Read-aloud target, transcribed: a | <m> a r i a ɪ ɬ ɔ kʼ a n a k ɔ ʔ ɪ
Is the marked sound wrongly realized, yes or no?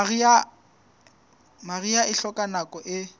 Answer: no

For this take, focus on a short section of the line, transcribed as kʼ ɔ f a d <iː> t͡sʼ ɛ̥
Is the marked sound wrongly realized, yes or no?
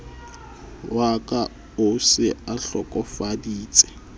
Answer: no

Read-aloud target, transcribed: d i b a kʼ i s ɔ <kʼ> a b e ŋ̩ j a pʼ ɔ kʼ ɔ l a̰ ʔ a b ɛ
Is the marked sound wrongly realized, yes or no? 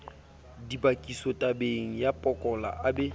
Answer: yes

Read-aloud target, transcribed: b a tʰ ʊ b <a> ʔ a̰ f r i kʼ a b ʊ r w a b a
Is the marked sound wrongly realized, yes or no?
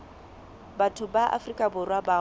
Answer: no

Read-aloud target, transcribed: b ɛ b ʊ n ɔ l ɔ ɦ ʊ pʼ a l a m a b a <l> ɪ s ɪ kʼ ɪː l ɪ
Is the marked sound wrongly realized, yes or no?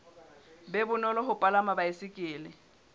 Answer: yes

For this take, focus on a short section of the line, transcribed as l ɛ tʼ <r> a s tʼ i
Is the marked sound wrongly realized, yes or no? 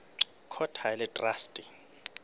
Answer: no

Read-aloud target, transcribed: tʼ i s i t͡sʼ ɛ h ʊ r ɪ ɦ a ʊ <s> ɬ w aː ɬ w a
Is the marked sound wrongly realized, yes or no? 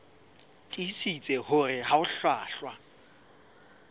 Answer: yes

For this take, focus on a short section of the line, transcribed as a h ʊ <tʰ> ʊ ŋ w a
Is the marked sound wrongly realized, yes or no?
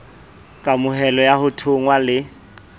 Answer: no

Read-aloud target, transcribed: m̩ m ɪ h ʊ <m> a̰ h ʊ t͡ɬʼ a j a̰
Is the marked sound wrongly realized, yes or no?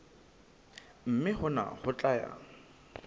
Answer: yes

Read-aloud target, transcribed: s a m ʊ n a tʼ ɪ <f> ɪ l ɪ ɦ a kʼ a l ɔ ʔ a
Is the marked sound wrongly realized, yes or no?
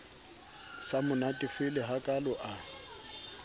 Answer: no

